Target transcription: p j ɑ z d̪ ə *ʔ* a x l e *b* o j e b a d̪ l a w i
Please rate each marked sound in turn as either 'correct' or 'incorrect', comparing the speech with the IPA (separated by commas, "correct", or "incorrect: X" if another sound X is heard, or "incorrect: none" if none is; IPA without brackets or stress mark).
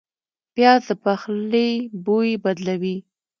incorrect: p, correct